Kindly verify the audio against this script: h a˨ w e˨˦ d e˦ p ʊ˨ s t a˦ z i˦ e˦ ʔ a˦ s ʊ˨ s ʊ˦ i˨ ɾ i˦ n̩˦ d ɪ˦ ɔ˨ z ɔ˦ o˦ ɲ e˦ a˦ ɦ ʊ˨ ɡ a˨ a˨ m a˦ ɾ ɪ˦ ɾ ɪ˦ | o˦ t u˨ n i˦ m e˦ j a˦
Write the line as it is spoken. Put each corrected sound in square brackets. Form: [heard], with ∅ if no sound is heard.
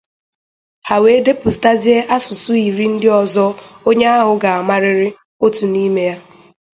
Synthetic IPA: h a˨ w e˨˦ d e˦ p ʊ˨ s t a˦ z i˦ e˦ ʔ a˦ s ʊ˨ s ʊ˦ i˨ ɾ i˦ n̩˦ d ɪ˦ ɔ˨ z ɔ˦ o˦ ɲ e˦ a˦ ɦ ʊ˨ ɡ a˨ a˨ m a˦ ɾ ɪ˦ ɾ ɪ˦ | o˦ t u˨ n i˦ m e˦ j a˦